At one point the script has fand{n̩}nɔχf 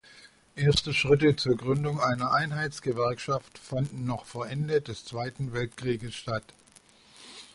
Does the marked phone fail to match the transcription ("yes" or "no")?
no